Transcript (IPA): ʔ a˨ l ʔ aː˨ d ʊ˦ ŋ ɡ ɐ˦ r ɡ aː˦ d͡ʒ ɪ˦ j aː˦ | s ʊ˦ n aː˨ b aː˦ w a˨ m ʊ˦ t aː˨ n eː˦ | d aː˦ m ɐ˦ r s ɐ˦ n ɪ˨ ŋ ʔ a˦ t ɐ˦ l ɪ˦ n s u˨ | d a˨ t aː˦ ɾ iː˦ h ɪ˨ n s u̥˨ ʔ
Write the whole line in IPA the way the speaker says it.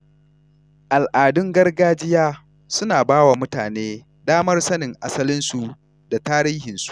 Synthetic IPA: ʔ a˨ l ʔ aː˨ d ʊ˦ ŋ ɡ ɐ˦ r ɡ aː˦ d͡ʒ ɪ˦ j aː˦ | s ʊ˦ n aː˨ b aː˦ w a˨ m ʊ˦ t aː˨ n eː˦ | d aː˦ m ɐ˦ r s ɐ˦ n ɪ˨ ŋ ʔ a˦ s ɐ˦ l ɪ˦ n s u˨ | d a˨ t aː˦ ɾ iː˦ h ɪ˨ n s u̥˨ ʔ